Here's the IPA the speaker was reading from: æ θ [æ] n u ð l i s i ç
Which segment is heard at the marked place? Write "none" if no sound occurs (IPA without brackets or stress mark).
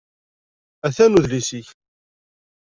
æ